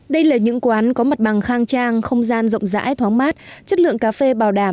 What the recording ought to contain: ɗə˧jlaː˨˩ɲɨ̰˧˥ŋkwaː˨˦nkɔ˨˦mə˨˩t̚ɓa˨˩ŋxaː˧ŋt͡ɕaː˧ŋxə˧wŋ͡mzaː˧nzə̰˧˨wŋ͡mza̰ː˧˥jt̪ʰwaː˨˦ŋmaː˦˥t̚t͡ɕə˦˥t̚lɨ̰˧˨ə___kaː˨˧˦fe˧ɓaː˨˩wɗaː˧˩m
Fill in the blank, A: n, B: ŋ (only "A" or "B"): B